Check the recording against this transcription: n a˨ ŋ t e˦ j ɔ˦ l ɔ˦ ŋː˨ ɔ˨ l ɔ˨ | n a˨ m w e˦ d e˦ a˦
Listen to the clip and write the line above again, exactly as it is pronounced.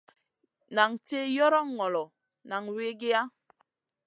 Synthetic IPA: n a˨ ŋ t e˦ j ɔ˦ ɾ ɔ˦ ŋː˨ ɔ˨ l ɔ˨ | n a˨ ŋ w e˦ ɡ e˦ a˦